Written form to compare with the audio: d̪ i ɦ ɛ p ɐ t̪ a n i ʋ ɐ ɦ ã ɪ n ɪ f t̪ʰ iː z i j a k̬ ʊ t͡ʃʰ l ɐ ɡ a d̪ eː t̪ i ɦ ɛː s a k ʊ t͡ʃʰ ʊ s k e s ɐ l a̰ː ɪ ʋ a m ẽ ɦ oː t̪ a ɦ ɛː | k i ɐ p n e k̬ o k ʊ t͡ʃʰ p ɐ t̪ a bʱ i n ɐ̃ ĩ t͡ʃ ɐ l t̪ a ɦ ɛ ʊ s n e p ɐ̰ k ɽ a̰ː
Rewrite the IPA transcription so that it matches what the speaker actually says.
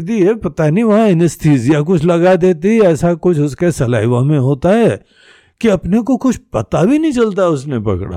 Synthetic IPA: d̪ i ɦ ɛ p ɐ t̪ a n i ʋ ɐ ɦ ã ɪ n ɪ s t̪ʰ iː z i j a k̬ ʊ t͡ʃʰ l ɐ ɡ a d̪ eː t̪ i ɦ ɛː s a k ʊ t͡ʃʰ ʊ s k e s ɐ l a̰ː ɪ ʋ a m ẽ ɦ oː t̪ a ɦ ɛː | k i ɐ p n e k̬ o k ʊ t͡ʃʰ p ɐ t̪ a bʱ i n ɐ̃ ĩ t͡ʃ ɐ l t̪ a ɦ ɛ ʊ s n e p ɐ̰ k ɽ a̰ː